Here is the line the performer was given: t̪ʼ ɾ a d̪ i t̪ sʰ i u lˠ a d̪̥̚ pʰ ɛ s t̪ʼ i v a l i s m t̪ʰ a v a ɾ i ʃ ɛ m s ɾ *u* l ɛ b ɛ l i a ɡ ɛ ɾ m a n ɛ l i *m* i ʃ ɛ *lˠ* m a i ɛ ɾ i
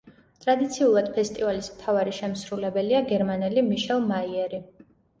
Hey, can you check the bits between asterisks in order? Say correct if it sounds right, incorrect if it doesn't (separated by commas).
correct, correct, correct